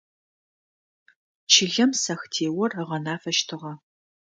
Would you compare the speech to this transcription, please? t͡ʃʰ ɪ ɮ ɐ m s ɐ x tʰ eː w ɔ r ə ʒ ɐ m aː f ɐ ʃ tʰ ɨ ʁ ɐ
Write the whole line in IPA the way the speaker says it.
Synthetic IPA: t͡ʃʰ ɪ ɮ ɐ m s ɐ x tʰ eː w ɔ r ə ʁ ɐ n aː f ɐ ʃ tʰ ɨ ʁ ɐ